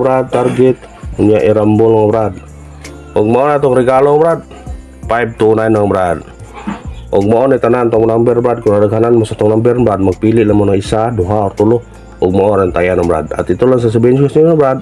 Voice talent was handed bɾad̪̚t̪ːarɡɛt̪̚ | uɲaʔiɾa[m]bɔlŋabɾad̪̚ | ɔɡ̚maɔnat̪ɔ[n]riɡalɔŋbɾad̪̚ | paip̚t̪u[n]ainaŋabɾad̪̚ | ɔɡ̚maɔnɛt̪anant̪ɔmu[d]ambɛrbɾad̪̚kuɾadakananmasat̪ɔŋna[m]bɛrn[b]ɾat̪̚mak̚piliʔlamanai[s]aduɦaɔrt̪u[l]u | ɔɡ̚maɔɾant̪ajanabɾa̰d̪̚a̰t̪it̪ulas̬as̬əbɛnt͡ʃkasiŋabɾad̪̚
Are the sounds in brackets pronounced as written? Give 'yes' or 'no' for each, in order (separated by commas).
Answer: yes, no, yes, no, yes, yes, yes, yes